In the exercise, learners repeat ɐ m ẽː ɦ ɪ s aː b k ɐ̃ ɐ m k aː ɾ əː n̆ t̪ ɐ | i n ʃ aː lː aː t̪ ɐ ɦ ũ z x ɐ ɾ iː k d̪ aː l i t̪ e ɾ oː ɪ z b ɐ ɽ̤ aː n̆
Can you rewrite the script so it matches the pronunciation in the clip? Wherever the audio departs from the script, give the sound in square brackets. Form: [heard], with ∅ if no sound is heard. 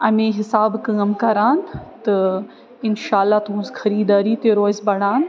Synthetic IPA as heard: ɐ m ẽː ɦ ɪ s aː b k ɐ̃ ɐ m k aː ɾ [aː] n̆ t̪ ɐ | [ɪ] n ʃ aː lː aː t̪ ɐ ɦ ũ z x ɐ ɾ iː [∅] d̪ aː [ɾ] i t̪ e ɾ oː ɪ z b ɐ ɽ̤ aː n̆

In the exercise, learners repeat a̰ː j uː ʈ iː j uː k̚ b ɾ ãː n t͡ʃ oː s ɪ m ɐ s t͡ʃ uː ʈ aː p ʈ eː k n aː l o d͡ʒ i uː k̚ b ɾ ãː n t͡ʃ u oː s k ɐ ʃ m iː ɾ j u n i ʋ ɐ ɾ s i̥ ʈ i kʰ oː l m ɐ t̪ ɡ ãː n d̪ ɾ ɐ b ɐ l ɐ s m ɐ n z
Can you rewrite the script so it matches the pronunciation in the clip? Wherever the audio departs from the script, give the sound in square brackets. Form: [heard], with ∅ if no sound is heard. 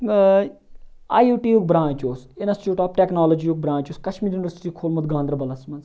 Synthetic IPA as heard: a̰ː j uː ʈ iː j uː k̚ b ɾ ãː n t͡ʃ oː s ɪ [n] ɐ s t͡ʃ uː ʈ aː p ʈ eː k n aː l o d͡ʒ i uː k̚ b ɾ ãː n t͡ʃ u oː s k ɐ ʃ m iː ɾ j u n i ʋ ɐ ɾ s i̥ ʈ i kʰ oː l m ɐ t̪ ɡ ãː n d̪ ɾ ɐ b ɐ l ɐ s m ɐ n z

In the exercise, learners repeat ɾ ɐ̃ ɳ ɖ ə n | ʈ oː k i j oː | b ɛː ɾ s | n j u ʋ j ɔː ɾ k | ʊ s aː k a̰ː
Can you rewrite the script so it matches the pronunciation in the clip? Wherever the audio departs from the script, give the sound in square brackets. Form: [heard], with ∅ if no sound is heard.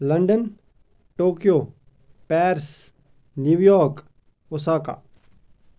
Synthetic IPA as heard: [l] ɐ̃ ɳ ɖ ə n | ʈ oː k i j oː | [p] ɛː ɾ s | n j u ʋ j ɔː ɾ k | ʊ s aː k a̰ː

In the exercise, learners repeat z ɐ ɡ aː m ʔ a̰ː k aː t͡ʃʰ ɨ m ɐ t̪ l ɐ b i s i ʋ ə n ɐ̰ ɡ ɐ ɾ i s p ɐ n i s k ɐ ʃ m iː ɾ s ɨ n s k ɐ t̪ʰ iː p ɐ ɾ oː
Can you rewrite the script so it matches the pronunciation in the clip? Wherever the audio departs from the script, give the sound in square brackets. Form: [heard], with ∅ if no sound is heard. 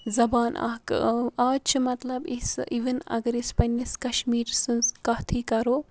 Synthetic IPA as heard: z ɐ [b] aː [n] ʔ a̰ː k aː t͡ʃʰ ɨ m ɐ t̪ l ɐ b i s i ʋ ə n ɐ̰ ɡ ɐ ɾ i s p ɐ n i s k ɐ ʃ m iː ɾ s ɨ n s k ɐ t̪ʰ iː [k] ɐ ɾ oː

